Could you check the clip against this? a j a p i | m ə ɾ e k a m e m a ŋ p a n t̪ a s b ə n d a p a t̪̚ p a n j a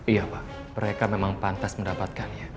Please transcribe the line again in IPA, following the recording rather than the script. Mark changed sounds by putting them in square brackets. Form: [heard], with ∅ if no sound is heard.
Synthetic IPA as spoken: [i] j a p [a] | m ə ɾ e k a m e m a ŋ p a n t̪ a s [m] ə n d a p a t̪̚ [k] a n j a